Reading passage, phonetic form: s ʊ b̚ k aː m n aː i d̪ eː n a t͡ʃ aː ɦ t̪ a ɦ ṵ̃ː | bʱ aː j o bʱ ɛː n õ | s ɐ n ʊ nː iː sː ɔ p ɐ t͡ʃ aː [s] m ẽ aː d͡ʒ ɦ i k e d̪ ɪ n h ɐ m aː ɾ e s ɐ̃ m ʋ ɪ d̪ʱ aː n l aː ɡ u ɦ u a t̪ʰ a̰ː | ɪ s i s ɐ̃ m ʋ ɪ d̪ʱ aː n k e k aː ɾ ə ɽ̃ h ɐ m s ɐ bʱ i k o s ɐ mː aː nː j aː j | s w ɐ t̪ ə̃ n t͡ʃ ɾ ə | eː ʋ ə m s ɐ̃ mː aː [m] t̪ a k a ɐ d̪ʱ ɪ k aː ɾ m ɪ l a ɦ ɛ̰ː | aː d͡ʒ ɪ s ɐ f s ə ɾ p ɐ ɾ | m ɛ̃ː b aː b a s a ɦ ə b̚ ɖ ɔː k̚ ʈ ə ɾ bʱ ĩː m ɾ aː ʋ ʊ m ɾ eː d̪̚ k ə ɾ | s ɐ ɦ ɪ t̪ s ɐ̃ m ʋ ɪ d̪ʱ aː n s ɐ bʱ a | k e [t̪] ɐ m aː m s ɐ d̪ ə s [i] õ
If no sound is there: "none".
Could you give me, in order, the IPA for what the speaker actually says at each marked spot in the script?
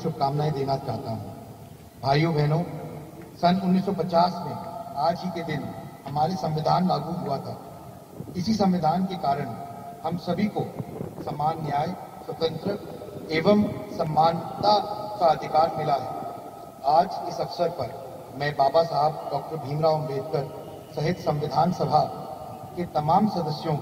s, n, t̪, j

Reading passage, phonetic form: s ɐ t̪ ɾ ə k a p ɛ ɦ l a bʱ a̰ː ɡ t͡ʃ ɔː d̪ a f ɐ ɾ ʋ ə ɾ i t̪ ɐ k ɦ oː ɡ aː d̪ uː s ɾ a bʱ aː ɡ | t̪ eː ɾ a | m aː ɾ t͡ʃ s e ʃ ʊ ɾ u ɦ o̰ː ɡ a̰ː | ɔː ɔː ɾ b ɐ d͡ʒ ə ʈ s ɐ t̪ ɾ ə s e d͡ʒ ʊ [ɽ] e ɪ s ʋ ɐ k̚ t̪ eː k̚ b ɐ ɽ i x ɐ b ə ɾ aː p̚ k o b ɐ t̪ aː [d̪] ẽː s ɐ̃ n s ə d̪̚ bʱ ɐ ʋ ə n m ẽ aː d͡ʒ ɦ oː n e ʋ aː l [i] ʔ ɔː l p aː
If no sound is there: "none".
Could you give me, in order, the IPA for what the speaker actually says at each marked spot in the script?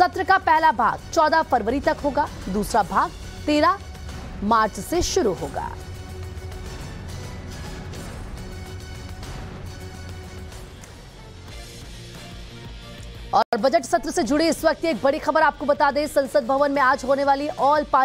ɽ, d̪, i

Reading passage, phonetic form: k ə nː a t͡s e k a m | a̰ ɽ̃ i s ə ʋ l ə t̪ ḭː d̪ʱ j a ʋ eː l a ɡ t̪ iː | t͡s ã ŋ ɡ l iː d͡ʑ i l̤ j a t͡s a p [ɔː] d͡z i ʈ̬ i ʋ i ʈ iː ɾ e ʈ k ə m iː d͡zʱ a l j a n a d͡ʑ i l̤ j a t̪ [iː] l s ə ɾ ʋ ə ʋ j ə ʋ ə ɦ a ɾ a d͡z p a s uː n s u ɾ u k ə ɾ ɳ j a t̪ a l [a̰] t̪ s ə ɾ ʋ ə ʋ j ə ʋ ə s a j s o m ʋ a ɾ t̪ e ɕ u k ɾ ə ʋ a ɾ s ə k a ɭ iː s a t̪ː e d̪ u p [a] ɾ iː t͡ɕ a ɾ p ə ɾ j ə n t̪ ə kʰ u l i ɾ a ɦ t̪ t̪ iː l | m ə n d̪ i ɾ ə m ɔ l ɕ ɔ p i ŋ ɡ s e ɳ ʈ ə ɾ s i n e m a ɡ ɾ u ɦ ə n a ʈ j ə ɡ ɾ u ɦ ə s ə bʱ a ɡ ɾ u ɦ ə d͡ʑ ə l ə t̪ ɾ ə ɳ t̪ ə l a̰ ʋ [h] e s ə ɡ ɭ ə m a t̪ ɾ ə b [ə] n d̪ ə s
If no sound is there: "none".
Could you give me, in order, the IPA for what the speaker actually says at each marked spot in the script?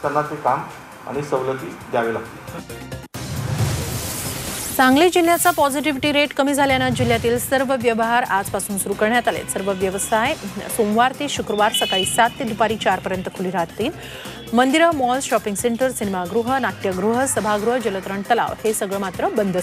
ɔ, iː, ḛ, a, h, ə

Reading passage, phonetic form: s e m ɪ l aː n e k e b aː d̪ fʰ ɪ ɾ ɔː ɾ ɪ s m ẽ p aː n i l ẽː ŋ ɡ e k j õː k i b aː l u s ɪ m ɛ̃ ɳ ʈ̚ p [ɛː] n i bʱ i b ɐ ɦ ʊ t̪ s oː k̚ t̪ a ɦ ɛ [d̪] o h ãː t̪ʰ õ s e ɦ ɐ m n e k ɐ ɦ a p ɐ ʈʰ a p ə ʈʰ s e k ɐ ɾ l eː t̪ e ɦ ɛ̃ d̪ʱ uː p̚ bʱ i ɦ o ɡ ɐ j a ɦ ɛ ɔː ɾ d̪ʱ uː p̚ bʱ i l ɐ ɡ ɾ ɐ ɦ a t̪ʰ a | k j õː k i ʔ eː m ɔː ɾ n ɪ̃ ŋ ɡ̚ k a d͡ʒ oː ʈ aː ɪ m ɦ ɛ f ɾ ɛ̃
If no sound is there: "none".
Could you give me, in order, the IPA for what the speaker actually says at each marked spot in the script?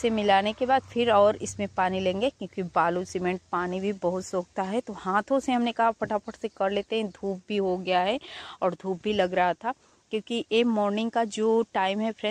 aː, t̪

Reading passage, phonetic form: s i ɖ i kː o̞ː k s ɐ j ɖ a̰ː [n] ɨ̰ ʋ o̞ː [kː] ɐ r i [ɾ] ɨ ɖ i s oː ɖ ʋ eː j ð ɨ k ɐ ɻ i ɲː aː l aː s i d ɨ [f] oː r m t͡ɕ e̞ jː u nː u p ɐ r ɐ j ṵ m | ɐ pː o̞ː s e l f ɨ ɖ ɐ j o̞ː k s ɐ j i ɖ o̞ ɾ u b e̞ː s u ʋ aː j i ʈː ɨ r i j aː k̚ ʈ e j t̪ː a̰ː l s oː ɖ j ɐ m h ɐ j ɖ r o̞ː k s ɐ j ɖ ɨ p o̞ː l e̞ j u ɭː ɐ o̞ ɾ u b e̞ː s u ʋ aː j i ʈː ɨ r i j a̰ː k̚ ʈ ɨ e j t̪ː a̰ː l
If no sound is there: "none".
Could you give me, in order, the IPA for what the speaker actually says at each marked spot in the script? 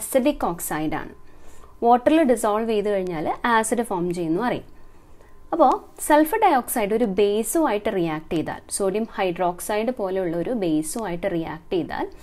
ɳ, ʈː, l, f

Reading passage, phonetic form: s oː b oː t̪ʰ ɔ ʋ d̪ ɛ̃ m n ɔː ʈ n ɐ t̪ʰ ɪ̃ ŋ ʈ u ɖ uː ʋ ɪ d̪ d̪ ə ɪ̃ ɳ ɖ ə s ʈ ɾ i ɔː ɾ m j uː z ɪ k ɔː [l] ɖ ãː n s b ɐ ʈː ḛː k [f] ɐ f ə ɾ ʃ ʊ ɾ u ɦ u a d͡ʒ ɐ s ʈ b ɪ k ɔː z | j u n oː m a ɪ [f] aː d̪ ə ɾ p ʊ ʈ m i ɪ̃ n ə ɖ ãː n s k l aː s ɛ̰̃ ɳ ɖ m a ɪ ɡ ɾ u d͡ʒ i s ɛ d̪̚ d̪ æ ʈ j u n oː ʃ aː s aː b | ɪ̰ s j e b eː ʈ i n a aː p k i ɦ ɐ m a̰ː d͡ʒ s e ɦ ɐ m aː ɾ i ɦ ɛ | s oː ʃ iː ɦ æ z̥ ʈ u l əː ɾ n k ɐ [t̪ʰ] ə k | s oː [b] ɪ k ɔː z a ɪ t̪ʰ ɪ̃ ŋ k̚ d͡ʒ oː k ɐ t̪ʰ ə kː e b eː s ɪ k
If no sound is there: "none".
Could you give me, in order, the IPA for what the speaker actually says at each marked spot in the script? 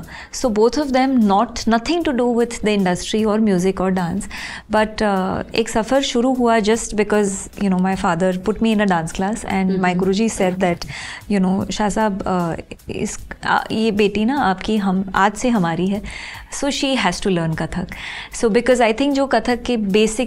ɾ, s, f, t̪ʰ, b

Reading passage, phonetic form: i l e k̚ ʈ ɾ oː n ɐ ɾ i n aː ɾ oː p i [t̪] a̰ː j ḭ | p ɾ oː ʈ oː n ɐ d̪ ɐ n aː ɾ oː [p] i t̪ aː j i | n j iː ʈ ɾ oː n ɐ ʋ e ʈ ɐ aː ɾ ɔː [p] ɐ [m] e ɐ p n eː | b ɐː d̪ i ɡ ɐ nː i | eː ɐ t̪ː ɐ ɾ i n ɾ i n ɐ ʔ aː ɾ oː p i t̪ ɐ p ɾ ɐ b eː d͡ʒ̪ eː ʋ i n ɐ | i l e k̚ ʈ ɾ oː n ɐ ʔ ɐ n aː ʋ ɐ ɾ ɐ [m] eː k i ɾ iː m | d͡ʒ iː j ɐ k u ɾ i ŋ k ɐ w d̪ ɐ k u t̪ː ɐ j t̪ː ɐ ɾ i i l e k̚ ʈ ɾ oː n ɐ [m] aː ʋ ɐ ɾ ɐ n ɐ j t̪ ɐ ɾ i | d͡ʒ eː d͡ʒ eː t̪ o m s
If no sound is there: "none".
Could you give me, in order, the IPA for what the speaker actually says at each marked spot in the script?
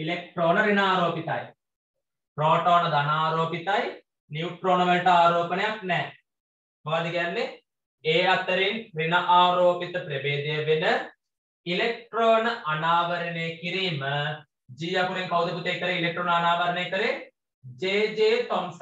t̪, p, p, n, n, n

